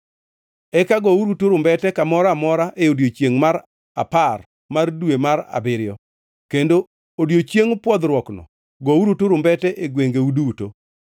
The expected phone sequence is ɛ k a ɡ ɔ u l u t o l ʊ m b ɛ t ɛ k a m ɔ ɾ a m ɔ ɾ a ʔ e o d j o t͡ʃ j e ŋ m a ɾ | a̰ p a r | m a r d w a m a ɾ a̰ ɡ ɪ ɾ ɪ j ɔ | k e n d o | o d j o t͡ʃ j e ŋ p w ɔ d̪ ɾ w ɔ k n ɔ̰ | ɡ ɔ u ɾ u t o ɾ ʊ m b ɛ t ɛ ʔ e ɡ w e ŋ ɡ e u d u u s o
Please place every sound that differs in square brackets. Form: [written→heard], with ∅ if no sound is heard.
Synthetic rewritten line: ɛ k a ɡ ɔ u [l→ɾ] u t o [l→ɾ] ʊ m b ɛ t ɛ k a m ɔ ɾ a m ɔ ɾ a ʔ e o d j o t͡ʃ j e ŋ m a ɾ | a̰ p a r | m a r d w [a→e] m a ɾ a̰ [ɡ→b] ɪ ɾ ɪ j ɔ | k e n d o | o d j o t͡ʃ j e ŋ p w ɔ d̪ ɾ w ɔ k n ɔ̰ | ɡ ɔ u ɾ u t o ɾ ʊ m b ɛ t ɛ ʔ e ɡ w e ŋ ɡ e u d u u [s→t] o

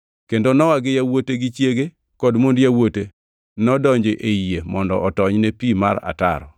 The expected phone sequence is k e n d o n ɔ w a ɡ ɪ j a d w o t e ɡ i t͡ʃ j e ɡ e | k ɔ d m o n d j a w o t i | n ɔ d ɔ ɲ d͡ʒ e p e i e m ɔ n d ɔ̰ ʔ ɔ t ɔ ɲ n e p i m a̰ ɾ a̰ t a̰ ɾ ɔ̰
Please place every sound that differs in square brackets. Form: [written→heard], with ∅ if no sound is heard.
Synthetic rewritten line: k e n d o n ɔ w a ɡ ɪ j a [d→∅] w o t e ɡ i t͡ʃ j e ɡ e | k ɔ d m o n d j a w o t [i→e] | n ɔ d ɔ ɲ d͡ʒ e [p→ʔ] e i e m ɔ n d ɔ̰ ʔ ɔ t ɔ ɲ n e p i m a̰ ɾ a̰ t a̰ ɾ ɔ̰

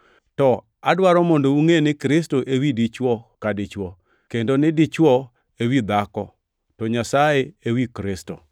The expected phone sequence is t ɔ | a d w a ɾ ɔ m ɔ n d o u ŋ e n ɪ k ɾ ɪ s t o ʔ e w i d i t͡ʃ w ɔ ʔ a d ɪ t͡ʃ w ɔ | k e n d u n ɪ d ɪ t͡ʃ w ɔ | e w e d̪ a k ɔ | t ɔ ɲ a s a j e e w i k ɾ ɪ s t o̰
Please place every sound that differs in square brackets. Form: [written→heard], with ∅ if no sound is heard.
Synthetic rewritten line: t ɔ | a d w a ɾ ɔ m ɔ n d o u ŋ e n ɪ k ɾ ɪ s t o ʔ e w i d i t͡ʃ w ɔ [ʔ→k] a d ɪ t͡ʃ w ɔ | k e n d [u→o] n ɪ d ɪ t͡ʃ w ɔ | e w [e→i] d̪ a k ɔ | t ɔ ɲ a s a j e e w i k ɾ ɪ s t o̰

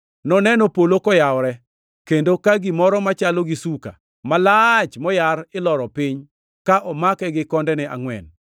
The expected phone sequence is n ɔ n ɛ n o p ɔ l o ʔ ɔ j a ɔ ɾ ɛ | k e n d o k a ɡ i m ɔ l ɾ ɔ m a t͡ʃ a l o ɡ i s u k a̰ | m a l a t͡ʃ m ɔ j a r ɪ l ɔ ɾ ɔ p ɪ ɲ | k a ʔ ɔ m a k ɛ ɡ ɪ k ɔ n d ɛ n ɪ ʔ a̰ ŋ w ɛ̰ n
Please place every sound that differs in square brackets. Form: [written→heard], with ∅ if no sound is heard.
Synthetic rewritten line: n ɔ n ɛ n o p [ɔ→o] l o [ʔ→k] ɔ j a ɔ ɾ ɛ | k e n d o k a ɡ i m ɔ [l→∅] ɾ ɔ m a t͡ʃ a l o ɡ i s u k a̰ | m a l a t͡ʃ m ɔ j a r ɪ l ɔ ɾ ɔ p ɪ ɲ | k a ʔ ɔ m a k ɛ ɡ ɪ k ɔ n d ɛ n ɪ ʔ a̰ ŋ w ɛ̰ n

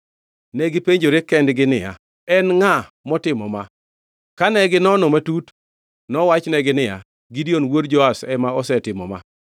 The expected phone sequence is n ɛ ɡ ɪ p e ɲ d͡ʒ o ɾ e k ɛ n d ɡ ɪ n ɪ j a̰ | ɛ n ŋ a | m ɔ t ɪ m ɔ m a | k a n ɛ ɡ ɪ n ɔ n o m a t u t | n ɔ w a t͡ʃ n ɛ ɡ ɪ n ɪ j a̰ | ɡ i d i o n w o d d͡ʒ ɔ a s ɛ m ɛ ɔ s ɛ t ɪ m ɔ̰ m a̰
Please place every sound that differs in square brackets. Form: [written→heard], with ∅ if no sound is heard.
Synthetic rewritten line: n ɛ ɡ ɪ p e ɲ d͡ʒ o ɾ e k ɛ n d ɡ ɪ n ɪ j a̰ | ɛ n ŋ a | m ɔ t ɪ m ɔ m a | k a n ɛ ɡ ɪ n ɔ n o m a t u t | n ɔ w a t͡ʃ n ɛ ɡ ɪ n ɪ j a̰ | ɡ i d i o n w o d d͡ʒ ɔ a s ɛ m [ɛ→a] ɔ s ɛ t ɪ m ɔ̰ m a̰

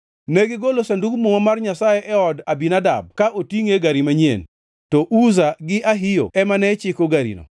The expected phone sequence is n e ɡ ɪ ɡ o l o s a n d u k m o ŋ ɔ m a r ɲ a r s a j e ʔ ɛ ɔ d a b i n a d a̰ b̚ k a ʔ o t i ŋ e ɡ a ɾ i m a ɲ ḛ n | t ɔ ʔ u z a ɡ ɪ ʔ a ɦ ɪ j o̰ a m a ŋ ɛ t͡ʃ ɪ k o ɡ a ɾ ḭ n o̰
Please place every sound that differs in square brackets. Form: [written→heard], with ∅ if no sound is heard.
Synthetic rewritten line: n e ɡ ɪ ɡ o l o s a n d u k m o ŋ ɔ m a r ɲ a [r→∅] s a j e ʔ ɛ ɔ d a b i n a d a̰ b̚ k a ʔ o t i ŋ e ɡ a ɾ i m a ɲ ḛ n | t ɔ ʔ u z a ɡ ɪ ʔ a ɦ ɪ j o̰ [a→ɛ] m a [ŋ→n] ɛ t͡ʃ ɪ k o ɡ a ɾ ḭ n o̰

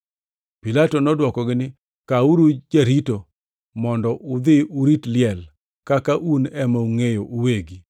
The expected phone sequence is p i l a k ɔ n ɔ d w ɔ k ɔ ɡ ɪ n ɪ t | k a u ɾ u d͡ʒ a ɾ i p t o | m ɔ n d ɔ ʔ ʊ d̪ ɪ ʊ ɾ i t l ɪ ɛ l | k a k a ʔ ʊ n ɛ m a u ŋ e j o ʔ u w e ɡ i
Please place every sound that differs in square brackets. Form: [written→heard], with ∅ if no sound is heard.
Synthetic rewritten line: p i l a [k→t] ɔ n ɔ d w ɔ k ɔ ɡ ɪ n ɪ [t→∅] | k a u ɾ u d͡ʒ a ɾ i [p→∅] t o | m ɔ n d ɔ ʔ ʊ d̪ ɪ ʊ ɾ i t l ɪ ɛ l | k a k a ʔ [ʊ→u] n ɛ m a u ŋ e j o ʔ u w e ɡ i

